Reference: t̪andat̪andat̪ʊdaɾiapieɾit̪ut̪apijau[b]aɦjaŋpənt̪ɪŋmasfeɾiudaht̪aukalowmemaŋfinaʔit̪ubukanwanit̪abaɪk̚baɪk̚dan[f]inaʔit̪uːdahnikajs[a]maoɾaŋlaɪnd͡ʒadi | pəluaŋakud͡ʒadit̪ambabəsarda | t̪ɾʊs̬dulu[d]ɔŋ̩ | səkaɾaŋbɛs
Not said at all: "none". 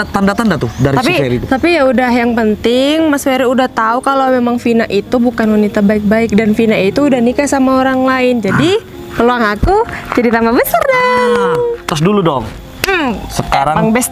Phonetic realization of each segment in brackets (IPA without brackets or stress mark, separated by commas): d, f, a, d